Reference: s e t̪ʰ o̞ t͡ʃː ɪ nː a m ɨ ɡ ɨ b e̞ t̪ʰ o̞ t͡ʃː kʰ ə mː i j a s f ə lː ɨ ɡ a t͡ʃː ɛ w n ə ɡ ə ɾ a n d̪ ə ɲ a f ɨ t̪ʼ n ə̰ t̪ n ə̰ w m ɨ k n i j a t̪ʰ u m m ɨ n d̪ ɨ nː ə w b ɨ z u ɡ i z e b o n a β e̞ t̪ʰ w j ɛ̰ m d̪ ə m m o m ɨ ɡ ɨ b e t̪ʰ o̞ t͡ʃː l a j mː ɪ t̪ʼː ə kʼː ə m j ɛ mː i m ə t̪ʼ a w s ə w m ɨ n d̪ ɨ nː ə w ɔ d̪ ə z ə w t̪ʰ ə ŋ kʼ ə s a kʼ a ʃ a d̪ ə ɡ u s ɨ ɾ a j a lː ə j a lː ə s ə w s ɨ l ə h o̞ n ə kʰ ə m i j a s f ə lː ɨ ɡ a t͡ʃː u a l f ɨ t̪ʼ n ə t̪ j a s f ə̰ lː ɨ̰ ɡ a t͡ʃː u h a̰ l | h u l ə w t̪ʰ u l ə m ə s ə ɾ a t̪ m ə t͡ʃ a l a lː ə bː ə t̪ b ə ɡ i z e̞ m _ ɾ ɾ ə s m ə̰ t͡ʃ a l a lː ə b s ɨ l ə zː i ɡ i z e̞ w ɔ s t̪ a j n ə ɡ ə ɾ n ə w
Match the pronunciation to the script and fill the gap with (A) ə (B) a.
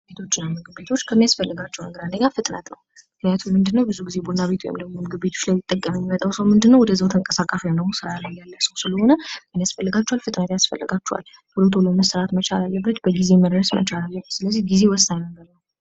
A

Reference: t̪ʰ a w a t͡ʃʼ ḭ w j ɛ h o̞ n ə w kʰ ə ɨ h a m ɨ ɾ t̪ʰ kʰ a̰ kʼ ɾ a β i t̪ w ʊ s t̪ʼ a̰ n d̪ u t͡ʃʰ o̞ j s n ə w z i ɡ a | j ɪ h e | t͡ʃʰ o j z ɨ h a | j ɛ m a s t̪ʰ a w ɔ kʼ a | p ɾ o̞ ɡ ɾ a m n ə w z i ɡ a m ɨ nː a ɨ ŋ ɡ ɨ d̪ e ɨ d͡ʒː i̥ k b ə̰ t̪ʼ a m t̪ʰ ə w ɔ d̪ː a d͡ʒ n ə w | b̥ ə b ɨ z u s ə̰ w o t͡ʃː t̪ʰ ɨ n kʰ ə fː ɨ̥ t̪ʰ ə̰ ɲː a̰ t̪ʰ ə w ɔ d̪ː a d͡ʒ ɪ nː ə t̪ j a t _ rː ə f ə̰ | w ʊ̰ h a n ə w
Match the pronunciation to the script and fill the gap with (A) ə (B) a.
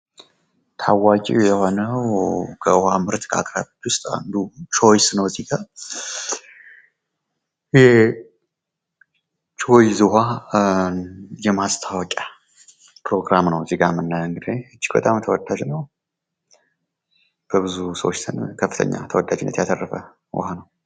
A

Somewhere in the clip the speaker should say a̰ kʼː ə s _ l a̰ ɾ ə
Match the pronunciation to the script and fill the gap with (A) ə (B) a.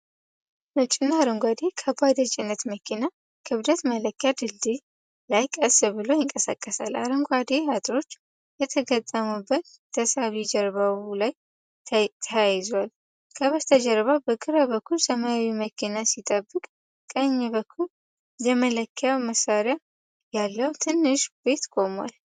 B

